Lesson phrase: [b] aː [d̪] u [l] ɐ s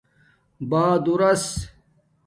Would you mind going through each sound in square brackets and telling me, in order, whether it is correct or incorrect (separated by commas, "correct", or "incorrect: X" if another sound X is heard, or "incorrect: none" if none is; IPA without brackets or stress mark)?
correct, correct, incorrect: ɾ